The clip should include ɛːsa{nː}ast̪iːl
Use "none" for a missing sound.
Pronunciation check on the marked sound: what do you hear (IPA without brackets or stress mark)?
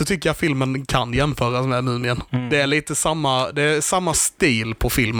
mː